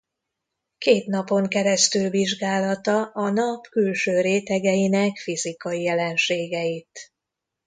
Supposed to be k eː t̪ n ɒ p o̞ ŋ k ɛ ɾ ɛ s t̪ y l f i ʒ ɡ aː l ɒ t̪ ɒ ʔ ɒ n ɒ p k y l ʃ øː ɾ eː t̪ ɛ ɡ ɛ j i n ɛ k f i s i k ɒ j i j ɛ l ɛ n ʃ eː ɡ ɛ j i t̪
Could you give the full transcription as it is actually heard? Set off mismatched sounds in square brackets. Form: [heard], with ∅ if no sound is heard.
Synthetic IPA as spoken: k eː t̪ n ɒ p o̞ ŋ k ɛ ɾ ɛ s t̪ y l [v] i ʒ ɡ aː l ɒ t̪ ɒ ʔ ɒ n ɒ p k y l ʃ øː ɾ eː t̪ ɛ ɡ ɛ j i n ɛ k f i [z] i k ɒ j i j ɛ l ɛ n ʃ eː ɡ ɛ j i t̪